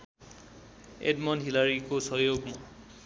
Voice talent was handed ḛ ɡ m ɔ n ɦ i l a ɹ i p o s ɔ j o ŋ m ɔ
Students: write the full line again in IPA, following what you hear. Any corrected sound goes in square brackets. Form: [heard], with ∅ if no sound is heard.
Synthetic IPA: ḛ [d] m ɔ n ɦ i l a ɹ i [k] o s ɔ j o [ɡ] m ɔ